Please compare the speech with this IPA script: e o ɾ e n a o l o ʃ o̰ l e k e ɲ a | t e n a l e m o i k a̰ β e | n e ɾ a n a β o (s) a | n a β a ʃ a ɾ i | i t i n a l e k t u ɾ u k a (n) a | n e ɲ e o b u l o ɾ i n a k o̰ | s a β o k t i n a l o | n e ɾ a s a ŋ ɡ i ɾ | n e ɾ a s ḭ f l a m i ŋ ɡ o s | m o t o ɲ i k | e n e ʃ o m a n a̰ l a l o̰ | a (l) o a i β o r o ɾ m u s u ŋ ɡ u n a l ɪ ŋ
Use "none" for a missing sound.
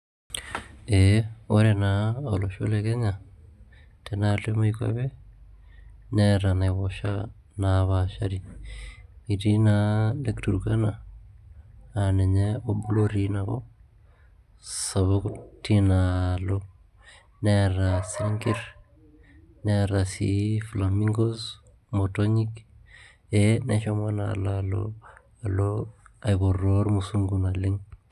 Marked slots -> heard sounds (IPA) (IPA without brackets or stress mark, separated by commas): ʃ, n, l